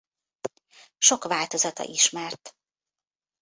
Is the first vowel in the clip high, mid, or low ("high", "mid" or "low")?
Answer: mid